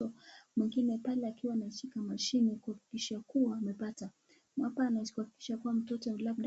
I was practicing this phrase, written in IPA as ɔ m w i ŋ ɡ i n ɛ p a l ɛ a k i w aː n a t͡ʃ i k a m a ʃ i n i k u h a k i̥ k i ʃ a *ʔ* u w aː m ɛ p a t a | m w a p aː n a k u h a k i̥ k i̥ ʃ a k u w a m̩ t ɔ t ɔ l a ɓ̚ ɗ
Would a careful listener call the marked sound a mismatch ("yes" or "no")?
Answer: yes